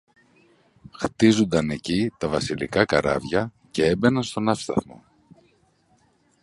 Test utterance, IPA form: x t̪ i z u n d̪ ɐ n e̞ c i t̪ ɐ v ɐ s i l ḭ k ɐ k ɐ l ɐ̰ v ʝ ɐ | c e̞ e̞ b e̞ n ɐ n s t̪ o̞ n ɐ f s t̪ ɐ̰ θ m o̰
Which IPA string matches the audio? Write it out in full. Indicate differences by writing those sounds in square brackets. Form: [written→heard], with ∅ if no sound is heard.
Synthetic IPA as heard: x t̪ i z u n d̪ ɐ n e̞ c i t̪ ɐ v ɐ s i l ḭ k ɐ k ɐ [l→ɾ] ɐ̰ v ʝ ɐ | c e̞ e̞ b e̞ n ɐ n s t̪ o̞ n ɐ f s t̪ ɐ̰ θ m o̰